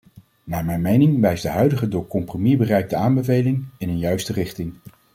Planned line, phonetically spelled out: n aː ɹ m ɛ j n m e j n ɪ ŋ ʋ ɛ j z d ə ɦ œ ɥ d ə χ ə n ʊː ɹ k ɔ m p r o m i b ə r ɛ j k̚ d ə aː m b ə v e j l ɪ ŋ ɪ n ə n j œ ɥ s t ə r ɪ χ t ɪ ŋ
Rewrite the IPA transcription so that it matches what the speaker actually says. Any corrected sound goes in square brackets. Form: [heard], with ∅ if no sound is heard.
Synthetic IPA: n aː ɹ m ɛ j n m e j n ɪ ŋ ʋ ɛ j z d ə ɦ œ ɥ d ə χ ə [d] ʊː ɹ k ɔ m p r o m i b ə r ɛ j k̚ d ə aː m b ə v e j l ɪ ŋ ɪ n ə n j œ ɥ s t ə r ɪ χ t ɪ ŋ

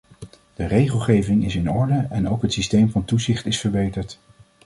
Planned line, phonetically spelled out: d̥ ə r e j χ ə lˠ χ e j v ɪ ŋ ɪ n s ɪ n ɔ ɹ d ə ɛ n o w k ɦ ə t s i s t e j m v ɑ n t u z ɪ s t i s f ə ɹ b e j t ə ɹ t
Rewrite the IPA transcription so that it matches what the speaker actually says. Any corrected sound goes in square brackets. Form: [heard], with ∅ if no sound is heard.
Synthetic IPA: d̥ ə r e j χ ə lˠ χ e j v ɪ ŋ ɪ [∅] s ɪ n ɔ ɹ d ə ɛ n o w k ɦ ə t s i s t e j m v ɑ n t u z ɪ [χ] t [ɪ] s f ə ɹ b e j t ə ɹ t

